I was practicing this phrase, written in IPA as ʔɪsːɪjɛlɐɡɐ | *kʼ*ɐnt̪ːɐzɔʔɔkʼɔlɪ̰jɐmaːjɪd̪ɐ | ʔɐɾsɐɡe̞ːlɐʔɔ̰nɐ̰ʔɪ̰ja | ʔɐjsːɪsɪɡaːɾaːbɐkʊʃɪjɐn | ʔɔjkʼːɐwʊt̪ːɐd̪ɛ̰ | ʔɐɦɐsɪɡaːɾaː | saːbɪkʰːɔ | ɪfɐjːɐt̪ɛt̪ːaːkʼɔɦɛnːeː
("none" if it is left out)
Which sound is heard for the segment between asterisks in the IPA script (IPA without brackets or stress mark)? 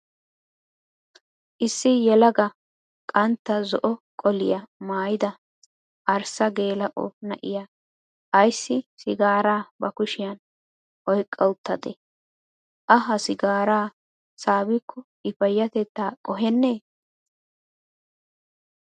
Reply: kʼ